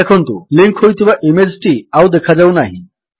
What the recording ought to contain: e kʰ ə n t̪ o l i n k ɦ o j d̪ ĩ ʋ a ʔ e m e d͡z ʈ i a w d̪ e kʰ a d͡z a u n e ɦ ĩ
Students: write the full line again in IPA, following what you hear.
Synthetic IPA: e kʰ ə n t̪ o l i ŋ k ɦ o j t̪ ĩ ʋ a ʔ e m e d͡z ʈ i a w d̪ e kʰ a d͡z a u n a ɦ i